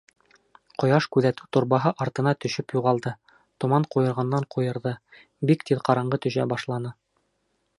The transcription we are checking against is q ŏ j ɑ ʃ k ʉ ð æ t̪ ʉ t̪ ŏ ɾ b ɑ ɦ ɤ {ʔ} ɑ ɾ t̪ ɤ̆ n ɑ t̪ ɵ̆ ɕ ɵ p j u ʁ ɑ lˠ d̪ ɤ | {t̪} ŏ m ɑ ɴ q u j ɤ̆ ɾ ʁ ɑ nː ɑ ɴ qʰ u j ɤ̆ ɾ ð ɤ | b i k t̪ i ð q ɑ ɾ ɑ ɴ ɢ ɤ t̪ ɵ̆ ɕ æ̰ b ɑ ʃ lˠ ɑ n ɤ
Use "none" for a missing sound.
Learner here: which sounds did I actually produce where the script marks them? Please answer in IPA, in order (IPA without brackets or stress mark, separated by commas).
ʔ, t̪